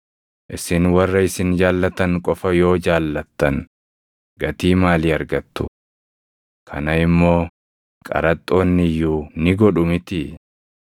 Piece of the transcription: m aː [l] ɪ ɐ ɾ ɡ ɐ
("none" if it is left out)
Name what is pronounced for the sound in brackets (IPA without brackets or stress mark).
l